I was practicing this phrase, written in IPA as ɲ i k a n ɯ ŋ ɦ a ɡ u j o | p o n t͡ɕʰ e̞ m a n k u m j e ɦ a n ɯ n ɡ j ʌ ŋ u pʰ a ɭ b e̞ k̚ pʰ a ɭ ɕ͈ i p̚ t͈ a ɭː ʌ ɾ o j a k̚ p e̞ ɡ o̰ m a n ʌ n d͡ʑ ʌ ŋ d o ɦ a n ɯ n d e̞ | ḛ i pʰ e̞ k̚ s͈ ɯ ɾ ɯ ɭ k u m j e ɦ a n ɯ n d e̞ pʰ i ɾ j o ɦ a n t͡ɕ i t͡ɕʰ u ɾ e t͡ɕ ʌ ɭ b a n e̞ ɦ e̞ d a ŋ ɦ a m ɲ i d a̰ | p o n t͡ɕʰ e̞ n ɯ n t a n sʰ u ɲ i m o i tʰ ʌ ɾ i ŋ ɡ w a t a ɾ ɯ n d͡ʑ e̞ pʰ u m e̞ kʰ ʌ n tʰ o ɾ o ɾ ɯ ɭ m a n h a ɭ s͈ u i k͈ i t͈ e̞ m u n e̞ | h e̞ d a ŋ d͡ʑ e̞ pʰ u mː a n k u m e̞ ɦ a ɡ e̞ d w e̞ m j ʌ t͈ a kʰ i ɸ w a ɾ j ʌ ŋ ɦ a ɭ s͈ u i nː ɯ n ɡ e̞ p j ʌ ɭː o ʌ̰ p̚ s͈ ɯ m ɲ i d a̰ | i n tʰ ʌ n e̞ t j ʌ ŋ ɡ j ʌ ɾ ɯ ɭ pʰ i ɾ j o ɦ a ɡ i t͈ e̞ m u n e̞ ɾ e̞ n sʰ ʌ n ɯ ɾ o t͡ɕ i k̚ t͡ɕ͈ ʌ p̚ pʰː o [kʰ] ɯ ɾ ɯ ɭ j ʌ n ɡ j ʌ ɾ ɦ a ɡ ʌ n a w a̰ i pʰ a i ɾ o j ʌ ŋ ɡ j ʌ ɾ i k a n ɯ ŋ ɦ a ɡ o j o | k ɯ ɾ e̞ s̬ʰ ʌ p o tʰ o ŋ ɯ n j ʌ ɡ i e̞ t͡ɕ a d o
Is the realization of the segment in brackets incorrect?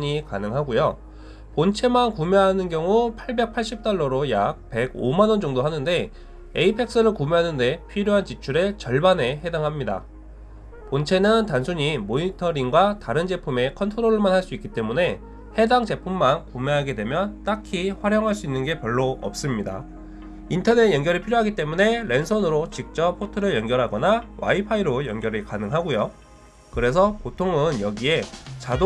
yes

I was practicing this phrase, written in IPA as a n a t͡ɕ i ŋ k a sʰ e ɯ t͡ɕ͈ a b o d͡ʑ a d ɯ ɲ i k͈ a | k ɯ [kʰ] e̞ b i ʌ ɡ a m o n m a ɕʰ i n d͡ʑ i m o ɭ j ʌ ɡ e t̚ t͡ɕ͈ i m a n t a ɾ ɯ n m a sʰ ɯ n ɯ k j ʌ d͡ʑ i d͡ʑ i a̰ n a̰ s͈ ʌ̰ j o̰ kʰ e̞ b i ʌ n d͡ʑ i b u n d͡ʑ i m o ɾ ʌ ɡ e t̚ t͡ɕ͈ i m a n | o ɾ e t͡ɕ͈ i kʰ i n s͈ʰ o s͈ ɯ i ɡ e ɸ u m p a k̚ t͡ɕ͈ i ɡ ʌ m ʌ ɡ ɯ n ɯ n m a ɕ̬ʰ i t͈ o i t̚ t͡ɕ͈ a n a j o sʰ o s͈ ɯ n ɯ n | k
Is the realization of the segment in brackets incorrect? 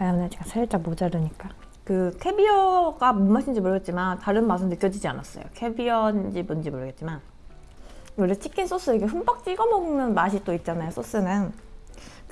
no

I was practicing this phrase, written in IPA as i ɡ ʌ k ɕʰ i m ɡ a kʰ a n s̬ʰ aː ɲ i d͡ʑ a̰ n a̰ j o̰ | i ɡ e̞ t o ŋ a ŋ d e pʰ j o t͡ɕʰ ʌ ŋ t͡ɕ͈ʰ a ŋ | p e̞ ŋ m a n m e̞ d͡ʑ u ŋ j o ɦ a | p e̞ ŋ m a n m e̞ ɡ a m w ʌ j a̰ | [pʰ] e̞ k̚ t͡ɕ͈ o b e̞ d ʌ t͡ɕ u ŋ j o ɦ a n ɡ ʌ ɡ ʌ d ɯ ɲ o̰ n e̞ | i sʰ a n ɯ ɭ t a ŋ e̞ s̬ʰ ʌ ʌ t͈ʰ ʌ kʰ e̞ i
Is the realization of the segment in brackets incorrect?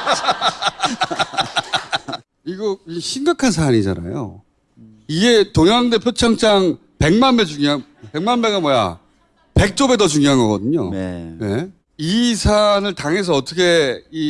yes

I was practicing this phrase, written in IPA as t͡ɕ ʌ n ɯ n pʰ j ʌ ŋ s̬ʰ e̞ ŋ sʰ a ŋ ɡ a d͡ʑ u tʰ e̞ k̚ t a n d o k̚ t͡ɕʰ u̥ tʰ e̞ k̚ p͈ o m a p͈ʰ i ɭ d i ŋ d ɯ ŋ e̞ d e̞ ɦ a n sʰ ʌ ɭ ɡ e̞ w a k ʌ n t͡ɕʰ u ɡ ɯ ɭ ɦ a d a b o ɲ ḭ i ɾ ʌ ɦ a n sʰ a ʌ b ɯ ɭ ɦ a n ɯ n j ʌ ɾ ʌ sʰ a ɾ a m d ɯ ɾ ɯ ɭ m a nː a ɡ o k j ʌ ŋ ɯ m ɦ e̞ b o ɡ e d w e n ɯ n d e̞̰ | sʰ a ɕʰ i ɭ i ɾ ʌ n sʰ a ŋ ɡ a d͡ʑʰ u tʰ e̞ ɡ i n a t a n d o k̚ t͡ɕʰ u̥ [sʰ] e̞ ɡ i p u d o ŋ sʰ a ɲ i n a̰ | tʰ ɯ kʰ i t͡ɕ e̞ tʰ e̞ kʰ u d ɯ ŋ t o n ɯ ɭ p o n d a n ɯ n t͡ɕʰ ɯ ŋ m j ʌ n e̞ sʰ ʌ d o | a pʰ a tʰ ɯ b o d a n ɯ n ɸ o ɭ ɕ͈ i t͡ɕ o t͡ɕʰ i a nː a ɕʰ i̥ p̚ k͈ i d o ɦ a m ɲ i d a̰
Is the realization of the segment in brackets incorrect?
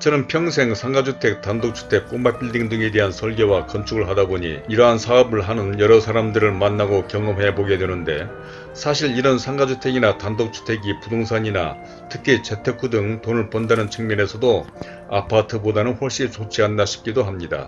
yes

